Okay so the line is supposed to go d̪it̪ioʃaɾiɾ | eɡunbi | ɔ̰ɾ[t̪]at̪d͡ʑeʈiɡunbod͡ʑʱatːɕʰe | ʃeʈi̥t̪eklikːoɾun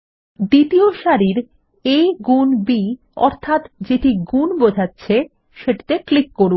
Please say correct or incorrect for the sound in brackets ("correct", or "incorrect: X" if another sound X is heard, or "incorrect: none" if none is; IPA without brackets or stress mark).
incorrect: t̪ʰ